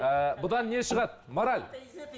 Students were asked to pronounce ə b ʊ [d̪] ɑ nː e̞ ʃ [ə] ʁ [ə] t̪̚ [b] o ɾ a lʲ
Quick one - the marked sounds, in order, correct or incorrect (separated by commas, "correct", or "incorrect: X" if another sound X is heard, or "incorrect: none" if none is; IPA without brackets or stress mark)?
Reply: correct, correct, incorrect: ɑ, incorrect: m